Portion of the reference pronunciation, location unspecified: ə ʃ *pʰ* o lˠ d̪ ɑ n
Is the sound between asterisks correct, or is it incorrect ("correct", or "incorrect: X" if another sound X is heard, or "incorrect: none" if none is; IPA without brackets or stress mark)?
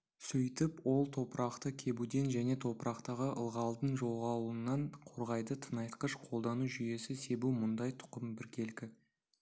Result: incorrect: qʰ